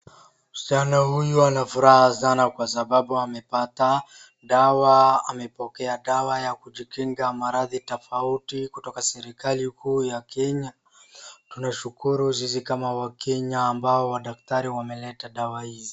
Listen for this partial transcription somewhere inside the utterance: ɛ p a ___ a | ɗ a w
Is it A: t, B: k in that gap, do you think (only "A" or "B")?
A